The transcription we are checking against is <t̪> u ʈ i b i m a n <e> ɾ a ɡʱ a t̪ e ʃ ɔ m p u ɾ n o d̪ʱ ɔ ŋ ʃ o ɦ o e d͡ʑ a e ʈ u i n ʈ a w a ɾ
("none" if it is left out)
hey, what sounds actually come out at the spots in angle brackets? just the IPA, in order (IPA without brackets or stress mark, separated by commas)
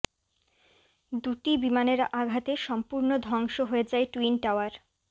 d̪, e